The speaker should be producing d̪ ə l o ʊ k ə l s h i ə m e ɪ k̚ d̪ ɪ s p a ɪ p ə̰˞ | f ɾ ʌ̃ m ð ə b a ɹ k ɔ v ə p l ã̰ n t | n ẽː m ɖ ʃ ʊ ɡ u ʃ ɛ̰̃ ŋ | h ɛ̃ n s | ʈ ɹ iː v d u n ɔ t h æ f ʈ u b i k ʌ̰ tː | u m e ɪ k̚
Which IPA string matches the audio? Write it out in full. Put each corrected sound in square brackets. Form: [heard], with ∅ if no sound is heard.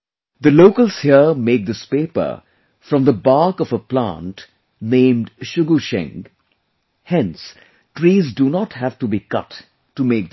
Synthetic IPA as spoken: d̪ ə l o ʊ k ə l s h i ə m e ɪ k̚ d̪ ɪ s p [e] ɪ p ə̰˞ | f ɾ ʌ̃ m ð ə b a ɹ k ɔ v ə p l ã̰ n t | n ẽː m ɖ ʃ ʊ ɡ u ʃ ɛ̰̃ ŋ | h ɛ̃ n s | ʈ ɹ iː [z] d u n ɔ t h æ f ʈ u b i k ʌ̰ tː | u m e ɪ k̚